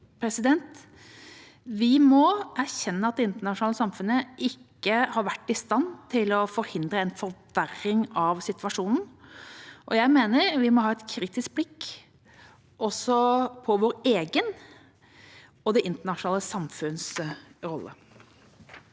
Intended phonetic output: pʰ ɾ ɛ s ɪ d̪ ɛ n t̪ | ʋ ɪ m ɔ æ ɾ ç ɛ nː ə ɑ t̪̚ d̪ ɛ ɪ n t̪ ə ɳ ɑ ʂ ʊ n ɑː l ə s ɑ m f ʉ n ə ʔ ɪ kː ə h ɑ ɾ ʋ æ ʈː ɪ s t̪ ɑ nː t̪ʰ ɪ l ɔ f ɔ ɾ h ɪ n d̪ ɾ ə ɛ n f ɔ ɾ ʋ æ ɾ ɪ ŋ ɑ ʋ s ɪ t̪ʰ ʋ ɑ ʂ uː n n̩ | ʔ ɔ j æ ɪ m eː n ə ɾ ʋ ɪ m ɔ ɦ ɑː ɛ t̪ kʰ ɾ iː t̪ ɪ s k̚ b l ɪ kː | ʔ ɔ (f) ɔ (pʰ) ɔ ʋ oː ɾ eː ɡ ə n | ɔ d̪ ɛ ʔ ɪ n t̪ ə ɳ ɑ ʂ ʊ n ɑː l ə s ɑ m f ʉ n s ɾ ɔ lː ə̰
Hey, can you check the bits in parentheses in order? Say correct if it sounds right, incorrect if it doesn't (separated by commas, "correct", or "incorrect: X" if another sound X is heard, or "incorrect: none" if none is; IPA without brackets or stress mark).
incorrect: s, correct